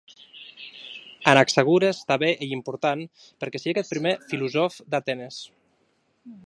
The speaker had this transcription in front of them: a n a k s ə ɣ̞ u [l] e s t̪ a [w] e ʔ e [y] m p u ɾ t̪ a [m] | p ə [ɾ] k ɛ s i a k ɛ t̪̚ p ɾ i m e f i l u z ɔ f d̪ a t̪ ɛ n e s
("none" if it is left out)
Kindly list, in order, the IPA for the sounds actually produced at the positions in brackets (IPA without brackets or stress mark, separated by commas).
ɾ, β, i, n, ɾ